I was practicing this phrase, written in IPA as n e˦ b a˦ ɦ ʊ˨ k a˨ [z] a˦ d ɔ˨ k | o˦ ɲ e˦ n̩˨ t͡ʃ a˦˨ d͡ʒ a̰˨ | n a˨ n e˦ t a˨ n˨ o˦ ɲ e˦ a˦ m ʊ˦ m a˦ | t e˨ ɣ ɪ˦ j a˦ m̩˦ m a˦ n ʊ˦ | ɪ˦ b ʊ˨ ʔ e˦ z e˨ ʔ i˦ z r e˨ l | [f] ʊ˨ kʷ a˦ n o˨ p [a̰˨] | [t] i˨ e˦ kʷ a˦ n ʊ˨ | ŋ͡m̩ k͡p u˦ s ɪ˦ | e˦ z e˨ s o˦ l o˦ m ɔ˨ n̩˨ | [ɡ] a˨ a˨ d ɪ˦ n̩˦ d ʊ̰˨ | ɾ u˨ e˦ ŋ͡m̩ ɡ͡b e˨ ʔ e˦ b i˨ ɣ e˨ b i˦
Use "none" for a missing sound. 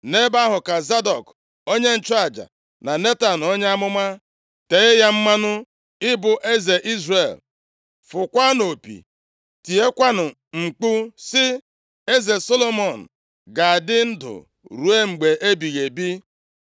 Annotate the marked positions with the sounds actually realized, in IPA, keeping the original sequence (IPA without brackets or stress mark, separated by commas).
z, f, ḭ˨, t, ɡ